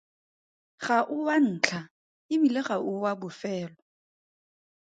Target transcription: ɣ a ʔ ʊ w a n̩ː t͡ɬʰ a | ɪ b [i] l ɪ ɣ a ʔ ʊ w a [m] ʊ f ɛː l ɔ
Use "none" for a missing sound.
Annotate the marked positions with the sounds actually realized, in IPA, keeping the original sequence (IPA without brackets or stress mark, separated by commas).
i, b